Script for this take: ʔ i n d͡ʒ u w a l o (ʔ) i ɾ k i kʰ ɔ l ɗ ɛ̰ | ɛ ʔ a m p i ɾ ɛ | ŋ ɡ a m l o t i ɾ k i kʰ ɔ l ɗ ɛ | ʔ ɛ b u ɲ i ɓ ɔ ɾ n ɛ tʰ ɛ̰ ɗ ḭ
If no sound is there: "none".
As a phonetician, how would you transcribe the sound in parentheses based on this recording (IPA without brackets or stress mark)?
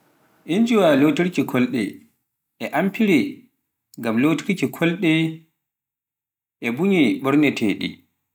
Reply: t